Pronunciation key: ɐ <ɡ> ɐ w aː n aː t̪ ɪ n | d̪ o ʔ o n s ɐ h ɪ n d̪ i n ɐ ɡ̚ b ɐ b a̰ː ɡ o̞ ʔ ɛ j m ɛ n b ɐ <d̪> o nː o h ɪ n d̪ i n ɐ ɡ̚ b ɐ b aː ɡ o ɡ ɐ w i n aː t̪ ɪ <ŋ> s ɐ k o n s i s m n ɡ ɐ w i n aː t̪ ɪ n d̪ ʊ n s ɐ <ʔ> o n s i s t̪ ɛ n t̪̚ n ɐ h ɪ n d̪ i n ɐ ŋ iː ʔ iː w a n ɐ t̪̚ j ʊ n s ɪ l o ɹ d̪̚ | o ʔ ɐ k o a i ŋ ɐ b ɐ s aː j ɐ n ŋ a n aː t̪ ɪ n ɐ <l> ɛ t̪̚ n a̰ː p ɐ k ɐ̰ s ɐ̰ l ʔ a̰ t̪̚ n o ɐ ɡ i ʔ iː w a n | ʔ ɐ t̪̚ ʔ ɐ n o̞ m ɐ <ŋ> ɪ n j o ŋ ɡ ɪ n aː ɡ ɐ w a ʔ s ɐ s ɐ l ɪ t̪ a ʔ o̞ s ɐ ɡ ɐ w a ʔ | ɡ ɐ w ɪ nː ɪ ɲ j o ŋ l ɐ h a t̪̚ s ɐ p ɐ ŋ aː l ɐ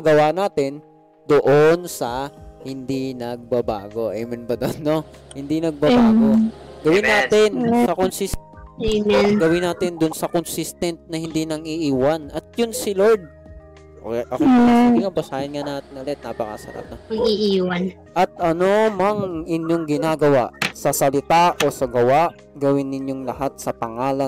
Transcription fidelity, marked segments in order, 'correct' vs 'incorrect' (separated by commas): correct, correct, incorrect, incorrect, correct, correct